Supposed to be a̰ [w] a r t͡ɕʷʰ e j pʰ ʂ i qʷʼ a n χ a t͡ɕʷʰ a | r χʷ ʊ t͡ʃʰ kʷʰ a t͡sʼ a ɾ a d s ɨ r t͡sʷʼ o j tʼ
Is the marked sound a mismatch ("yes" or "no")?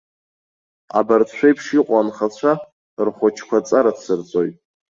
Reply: yes